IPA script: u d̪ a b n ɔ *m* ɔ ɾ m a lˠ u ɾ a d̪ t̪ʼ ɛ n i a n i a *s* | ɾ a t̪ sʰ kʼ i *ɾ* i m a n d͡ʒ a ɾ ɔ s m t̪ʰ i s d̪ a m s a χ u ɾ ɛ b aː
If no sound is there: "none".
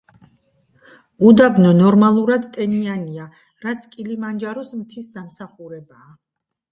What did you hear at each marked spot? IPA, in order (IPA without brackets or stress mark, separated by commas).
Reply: n, none, l